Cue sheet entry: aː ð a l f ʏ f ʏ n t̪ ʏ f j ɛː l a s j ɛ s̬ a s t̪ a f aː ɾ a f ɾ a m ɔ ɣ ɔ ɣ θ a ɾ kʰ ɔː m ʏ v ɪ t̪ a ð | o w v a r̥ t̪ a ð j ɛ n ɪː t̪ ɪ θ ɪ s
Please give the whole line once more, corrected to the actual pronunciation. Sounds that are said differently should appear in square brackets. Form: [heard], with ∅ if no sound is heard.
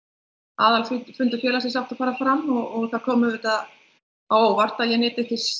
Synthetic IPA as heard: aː ð a l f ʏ f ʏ n t̪ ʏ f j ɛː l a s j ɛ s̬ a [f] t̪ a f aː ɾ a f ɾ a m ɔ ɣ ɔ ɣ θ a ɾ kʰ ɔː m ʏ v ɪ t̪ a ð | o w v a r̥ t̪ a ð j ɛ n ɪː t̪ ɪ θ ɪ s